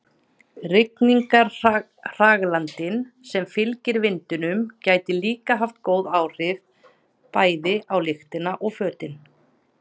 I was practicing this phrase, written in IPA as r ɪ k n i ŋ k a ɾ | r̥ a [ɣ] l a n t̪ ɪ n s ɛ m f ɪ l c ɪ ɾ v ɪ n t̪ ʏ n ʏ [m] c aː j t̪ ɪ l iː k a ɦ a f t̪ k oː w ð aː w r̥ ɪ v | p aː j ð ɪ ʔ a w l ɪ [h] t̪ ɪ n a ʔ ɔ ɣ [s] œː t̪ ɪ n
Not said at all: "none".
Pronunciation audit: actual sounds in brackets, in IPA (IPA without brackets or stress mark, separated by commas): ɣ, m, x, f